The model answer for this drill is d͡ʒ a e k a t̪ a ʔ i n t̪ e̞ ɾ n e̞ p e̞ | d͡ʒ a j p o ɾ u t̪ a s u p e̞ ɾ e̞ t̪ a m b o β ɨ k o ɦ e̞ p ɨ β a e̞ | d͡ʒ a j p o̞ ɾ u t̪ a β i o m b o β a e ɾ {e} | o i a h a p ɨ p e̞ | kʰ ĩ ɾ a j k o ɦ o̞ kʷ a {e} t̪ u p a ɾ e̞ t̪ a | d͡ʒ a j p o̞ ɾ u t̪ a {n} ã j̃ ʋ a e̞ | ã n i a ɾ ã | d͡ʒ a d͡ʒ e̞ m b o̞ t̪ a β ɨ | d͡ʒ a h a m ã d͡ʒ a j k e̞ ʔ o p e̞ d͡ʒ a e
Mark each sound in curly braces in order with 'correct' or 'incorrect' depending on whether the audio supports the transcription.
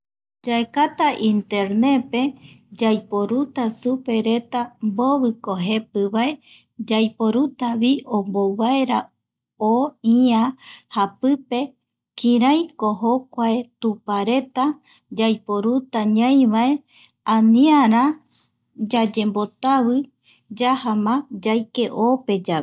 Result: incorrect, correct, incorrect

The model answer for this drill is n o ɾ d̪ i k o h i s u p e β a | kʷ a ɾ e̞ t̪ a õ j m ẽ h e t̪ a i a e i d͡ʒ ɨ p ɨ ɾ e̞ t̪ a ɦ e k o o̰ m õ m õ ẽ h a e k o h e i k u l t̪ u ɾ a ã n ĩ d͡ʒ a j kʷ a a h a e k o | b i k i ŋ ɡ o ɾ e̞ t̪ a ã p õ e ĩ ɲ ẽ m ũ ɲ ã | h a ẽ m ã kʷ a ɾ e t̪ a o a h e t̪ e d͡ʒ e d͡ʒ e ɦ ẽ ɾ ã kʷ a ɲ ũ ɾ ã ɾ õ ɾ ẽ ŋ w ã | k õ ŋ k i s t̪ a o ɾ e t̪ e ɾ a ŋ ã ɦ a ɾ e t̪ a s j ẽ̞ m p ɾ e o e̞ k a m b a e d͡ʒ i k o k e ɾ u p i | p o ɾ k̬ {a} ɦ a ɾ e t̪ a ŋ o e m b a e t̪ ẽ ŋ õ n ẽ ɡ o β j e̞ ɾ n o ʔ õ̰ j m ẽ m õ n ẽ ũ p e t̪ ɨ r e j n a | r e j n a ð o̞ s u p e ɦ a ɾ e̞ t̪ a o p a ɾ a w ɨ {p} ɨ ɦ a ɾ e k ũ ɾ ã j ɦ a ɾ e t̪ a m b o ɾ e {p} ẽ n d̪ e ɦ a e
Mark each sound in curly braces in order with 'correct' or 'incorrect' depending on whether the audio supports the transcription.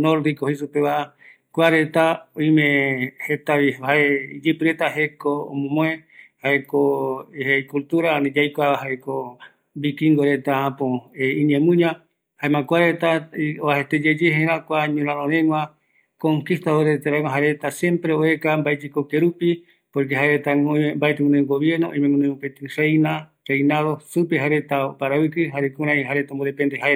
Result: incorrect, incorrect, correct

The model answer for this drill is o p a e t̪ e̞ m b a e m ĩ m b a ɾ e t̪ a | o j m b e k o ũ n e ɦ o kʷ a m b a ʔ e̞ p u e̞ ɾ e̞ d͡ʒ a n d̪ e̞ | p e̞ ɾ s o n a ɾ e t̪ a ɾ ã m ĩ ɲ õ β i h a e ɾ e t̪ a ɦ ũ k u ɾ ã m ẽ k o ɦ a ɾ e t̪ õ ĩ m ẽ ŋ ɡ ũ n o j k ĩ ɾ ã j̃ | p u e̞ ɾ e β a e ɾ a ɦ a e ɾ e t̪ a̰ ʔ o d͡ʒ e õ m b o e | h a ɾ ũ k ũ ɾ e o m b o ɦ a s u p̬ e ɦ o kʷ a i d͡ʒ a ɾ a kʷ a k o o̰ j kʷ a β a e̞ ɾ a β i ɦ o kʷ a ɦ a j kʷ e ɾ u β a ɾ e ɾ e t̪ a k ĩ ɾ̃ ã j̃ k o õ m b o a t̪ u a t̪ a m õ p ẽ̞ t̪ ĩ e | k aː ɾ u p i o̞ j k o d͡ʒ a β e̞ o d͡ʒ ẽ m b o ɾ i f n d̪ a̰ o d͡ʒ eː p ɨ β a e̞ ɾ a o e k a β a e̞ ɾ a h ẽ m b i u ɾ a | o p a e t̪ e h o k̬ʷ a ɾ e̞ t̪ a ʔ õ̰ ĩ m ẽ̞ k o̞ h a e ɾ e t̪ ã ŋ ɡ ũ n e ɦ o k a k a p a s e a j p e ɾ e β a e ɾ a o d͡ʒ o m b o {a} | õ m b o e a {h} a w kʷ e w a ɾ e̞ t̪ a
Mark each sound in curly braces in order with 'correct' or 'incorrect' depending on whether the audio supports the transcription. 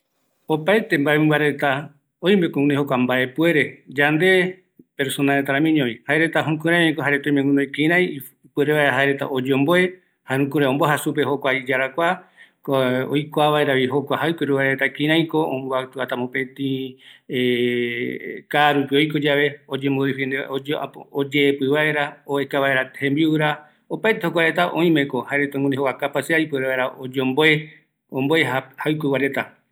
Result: incorrect, correct

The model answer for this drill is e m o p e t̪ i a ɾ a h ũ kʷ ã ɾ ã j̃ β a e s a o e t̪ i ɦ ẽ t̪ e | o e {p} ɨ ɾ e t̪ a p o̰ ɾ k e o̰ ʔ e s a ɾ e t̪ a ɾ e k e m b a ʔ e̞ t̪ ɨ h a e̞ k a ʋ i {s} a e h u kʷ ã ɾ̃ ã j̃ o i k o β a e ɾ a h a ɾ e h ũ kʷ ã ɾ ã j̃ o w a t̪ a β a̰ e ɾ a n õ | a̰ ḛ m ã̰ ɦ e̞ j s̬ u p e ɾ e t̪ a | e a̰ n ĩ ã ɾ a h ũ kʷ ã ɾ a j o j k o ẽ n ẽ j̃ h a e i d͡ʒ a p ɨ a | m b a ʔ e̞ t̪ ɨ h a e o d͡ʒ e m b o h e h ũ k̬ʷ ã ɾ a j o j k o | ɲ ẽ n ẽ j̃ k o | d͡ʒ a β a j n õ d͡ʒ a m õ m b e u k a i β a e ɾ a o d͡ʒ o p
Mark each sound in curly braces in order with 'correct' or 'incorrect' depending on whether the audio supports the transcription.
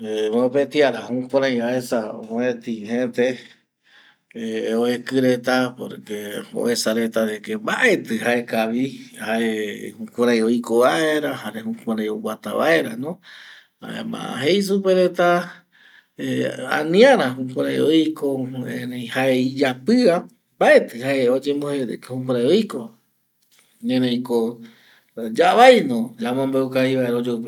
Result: incorrect, incorrect

